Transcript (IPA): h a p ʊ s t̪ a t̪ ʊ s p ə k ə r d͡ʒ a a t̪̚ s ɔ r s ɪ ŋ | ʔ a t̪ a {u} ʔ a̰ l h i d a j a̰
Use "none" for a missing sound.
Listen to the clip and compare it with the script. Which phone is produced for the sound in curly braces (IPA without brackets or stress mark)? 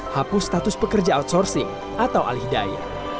w